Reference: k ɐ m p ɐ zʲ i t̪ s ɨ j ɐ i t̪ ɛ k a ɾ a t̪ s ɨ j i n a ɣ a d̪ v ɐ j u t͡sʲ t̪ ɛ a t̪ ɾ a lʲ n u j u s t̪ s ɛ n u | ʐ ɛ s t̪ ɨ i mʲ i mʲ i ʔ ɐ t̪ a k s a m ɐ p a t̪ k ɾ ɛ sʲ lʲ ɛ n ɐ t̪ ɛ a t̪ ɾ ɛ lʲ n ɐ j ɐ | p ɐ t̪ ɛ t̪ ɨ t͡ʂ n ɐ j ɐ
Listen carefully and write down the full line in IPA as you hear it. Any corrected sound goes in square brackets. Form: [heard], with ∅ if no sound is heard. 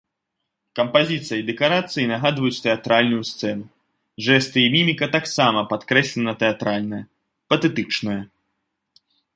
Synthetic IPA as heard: k ɐ m p [a] zʲ i t̪ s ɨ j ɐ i [d̪] ɛ k a ɾ a t̪ s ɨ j i n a ɣ a d̪ v ɐ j u t͡sʲ t̪ ɛ a t̪ ɾ a lʲ n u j u s t̪ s ɛ n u | ʐ ɛ s t̪ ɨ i mʲ i mʲ i [k] ɐ t̪ a k s a m ɐ p a t̪ k ɾ ɛ sʲ lʲ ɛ n ɐ t̪ ɛ a t̪ ɾ [a] lʲ n ɐ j ɐ | p ɐ t̪ ɛ t̪ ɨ t͡ʂ n ɐ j ɐ